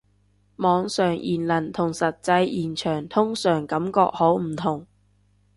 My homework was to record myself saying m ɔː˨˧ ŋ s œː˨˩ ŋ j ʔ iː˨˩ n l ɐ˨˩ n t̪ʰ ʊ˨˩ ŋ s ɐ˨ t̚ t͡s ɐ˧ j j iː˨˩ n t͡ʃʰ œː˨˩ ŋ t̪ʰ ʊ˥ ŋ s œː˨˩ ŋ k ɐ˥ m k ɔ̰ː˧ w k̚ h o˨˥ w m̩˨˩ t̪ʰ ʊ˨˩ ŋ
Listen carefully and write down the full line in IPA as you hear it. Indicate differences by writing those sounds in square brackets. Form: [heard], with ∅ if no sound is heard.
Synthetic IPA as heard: m ɔː˨˧ ŋ s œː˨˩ ŋ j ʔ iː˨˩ n l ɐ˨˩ n t̪ʰ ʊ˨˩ ŋ s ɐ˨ t̚ t͡s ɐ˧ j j iː˨˩ n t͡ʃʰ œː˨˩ ŋ t̪ʰ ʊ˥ ŋ s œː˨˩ ŋ k [ɐ˨˥] m k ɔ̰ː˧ [∅] k̚ h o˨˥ w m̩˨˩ t̪ʰ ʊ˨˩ ŋ

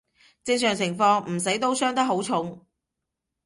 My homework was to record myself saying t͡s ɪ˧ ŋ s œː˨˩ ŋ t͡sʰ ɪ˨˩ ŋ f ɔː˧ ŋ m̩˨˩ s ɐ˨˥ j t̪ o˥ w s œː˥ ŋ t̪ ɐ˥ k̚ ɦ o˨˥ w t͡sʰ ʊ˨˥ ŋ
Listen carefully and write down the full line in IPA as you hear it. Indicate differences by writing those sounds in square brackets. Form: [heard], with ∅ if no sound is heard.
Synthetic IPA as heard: t͡s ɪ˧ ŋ s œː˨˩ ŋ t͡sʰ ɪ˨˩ ŋ f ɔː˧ ŋ m̩˨˩ s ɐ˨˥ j t̪ o˥ w s œː˥ ŋ t̪ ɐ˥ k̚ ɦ o˨˥ w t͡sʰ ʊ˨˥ ŋ

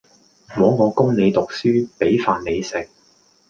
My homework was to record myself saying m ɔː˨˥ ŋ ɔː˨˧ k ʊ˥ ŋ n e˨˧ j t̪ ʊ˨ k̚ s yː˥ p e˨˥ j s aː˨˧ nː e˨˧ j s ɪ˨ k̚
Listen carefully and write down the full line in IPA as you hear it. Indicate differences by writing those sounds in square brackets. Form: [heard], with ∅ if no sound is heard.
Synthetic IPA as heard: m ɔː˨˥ ŋ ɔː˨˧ k ʊ˥ ŋ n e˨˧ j t̪ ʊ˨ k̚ s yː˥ p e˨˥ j [f] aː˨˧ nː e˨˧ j s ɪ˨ k̚

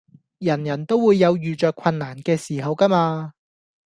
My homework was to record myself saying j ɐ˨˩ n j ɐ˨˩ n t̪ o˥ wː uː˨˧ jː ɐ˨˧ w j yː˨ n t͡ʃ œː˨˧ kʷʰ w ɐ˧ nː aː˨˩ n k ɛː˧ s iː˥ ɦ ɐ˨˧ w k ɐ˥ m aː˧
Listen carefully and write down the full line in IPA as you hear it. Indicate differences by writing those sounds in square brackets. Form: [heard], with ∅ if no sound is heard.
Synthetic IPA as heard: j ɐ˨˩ n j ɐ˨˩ n t̪ o˥ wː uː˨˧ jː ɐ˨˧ w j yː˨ [∅] t͡ʃ œː˨˧ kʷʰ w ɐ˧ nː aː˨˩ n k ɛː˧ s [iː˨˩] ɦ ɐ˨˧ w k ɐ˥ m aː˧

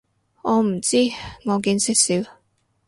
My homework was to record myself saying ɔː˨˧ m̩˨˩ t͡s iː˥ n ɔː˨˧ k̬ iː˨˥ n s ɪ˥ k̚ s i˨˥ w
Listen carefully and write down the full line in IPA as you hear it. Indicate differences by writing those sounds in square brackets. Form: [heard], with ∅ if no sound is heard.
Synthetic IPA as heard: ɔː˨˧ m̩˨˩ t͡s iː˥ [ŋ] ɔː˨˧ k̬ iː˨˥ n s ɪ˥ k̚ s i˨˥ w

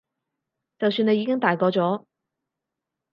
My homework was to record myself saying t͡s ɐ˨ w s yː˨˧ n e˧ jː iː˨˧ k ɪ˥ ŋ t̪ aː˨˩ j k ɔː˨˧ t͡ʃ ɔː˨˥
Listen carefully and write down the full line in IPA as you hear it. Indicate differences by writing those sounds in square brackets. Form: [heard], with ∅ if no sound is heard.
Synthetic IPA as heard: t͡s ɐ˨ w s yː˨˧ n e˧ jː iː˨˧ k ɪ˥ ŋ t̪ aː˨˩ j k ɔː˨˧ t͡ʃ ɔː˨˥

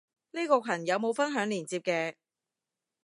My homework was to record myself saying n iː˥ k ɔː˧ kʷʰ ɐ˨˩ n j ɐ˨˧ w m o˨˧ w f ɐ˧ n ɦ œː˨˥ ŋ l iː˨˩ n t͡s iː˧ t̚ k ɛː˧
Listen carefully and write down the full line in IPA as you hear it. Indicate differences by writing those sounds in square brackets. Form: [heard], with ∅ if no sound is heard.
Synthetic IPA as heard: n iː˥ k ɔː˧ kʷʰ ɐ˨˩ n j ɐ˨˧ w m o˨˧ w f [ɐ˥] n ɦ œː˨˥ ŋ l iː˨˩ n t͡s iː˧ [p̚] k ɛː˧

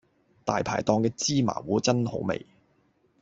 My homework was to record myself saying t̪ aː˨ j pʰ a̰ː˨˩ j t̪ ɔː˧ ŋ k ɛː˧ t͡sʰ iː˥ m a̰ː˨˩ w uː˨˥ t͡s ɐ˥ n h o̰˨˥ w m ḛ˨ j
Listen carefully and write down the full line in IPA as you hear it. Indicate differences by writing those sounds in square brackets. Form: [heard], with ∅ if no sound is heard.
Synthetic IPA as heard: t̪ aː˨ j pʰ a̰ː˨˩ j t̪ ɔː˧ ŋ k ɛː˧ [t͡s] iː˥ m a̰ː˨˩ w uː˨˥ t͡s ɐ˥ n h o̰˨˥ w m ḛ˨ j

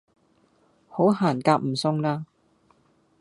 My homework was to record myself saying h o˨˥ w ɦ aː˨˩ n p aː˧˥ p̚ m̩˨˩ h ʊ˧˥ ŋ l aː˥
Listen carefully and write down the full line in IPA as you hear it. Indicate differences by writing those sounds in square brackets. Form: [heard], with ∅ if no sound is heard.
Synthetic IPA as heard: h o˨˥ w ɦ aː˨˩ n [k] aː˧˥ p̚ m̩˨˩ [s] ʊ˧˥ ŋ l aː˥

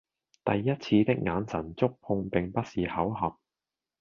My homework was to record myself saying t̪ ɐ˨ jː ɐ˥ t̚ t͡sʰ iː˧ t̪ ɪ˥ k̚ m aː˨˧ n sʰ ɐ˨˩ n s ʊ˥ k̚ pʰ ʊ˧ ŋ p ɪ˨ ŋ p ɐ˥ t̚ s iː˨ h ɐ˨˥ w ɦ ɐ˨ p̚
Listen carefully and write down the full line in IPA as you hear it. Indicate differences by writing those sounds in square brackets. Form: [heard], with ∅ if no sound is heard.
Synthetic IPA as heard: t̪ ɐ˨ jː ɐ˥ t̚ t͡sʰ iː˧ t̪ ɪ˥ k̚ [ŋ] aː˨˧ n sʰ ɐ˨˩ n [t͡s] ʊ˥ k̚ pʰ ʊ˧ ŋ p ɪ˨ ŋ p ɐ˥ t̚ s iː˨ h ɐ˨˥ w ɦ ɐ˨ p̚

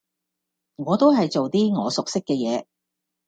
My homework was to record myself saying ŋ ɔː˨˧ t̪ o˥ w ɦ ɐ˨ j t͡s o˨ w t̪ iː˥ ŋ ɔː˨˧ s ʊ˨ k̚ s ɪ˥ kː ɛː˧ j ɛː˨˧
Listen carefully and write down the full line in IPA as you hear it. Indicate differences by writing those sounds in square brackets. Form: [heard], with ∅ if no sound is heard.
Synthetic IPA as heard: ŋ ɔː˨˧ t̪ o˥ w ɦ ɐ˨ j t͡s o˨ w t̪ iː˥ ŋ ɔː˨˧ s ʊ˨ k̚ s ɪ˥ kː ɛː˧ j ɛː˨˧

